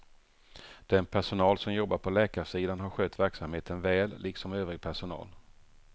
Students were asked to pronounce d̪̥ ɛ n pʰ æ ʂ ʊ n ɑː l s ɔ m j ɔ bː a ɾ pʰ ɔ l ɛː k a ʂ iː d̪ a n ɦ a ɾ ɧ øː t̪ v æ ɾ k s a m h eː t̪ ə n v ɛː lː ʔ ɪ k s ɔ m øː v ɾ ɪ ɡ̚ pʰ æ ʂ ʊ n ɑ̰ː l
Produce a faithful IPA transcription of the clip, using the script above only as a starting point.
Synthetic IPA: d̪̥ ɛ n pʰ æ ʂ ʊ n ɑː l s ɔ m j ɔ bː a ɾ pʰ ɔ l ɛː k a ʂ iː d̪ a n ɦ a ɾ ɧ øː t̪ v æ ɾ k s a m h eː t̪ ə n v ɛː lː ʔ ɪ k s ɔ m øː v ɾ ɪ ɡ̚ pʰ æ ʂ ʊ n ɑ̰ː l